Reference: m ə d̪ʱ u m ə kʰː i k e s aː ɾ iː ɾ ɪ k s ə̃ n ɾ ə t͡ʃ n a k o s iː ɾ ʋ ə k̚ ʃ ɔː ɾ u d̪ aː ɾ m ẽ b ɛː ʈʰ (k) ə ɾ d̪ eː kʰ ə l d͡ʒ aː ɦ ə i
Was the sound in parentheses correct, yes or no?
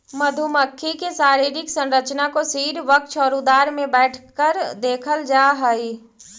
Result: yes